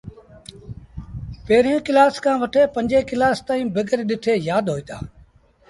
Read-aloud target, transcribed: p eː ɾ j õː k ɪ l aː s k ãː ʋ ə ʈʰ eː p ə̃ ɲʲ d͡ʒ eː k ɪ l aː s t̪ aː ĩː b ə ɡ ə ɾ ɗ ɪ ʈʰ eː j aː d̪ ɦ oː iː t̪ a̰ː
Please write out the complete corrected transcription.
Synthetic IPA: p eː ɾ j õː k ɪ l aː s k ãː ʋ ə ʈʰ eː p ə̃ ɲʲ d͡ʒ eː k ɪ l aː s t̪ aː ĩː b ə ɡ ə ɾ ɗ ɪ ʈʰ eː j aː d̪ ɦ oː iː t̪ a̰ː